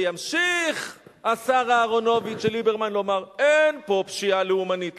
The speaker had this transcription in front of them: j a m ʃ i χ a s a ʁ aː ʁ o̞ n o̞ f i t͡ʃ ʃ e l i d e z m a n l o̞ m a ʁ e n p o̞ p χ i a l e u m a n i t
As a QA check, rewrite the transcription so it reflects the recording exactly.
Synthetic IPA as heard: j a m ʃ i χ a s a ʁ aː ʁ o̞ n o̞ v i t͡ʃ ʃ e l i b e ʁ m a n l o̞ m a ʁ e n p o̞ p ʃ i a l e u m a n i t